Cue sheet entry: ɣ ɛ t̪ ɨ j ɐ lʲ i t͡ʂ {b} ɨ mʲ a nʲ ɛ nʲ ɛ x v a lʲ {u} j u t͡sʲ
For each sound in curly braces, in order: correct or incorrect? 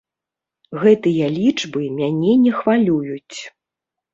correct, correct

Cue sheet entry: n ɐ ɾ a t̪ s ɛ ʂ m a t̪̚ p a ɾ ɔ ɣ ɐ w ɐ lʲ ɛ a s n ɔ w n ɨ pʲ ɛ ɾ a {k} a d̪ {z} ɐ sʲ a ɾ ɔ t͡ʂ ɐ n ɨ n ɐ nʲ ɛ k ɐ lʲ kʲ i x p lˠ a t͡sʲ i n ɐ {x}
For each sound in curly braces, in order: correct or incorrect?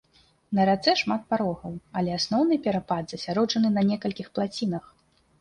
incorrect, correct, correct

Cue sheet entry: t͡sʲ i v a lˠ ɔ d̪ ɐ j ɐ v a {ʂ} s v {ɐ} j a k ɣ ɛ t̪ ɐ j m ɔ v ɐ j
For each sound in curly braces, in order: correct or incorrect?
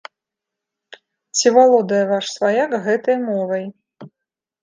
correct, incorrect

